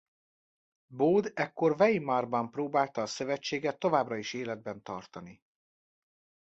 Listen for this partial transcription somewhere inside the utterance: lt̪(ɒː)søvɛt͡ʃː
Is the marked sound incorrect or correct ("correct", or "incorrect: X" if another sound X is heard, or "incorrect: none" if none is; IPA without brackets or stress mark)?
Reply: correct